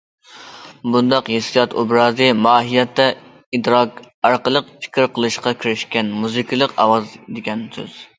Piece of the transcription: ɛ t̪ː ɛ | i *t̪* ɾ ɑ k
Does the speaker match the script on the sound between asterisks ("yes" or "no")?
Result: no